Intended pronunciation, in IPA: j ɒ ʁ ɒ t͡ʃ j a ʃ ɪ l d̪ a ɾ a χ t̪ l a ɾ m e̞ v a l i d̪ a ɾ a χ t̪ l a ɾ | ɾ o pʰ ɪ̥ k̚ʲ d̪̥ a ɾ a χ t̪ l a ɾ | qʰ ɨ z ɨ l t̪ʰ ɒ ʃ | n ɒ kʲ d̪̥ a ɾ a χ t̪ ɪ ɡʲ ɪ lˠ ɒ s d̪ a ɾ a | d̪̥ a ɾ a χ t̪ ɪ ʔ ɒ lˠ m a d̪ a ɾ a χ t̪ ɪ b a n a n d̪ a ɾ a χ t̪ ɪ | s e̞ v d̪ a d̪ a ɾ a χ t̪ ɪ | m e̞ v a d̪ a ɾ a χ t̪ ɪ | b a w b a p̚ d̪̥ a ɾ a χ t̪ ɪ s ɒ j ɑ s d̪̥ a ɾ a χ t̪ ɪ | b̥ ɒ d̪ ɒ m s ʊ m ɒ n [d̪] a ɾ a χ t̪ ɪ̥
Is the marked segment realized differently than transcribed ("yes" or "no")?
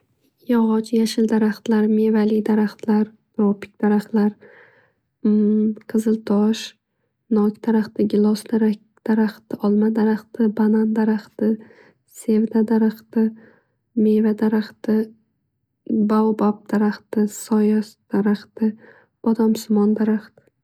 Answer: no